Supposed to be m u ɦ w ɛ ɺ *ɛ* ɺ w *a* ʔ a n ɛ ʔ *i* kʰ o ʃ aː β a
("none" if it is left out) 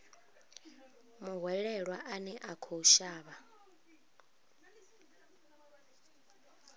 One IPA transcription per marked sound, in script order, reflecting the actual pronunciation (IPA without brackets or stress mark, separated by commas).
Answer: ɛ, a, a